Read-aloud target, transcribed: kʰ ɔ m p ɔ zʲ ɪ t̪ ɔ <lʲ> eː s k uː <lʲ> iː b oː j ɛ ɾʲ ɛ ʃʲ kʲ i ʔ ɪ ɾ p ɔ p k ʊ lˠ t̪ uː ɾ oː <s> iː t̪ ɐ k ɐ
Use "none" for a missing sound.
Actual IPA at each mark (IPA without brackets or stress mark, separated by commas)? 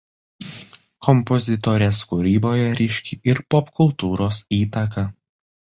ɾʲ, ɾʲ, s